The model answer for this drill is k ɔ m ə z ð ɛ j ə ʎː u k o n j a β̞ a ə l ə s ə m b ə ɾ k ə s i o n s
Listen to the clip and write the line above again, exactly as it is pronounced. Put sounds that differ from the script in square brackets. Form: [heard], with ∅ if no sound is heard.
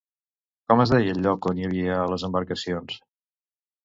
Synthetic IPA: k ɔ m ə z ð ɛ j ə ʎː [ɔ] k o n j [ə] β̞ [i] ə l ə [z] ə m b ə ɾ k ə s i o n s